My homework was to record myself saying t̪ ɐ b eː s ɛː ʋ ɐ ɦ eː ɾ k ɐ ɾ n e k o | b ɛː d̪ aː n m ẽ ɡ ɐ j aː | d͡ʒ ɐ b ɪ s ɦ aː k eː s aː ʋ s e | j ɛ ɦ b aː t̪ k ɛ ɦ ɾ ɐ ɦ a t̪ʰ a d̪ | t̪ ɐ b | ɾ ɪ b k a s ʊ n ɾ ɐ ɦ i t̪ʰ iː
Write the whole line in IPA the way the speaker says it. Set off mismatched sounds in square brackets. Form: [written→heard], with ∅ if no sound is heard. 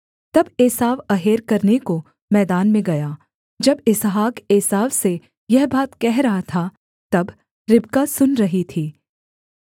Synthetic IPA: t̪ ɐ b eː s [ɛː→aː] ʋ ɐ ɦ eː ɾ k ɐ ɾ n e k o | [b→m] ɛː d̪ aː n m ẽ ɡ ɐ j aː | d͡ʒ ɐ b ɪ s ɦ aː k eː s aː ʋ s e | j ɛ ɦ b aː t̪ k ɛ ɦ ɾ ɐ ɦ a t̪ʰ a [d̪→∅] | t̪ ɐ b | ɾ ɪ b k a s ʊ n ɾ ɐ ɦ i t̪ʰ iː